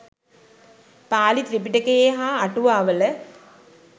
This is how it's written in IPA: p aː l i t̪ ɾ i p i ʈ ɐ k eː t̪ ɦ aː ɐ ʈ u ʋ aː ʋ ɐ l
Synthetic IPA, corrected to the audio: p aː l i t̪ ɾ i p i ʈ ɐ k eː ɦ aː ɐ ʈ u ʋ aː ʋ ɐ l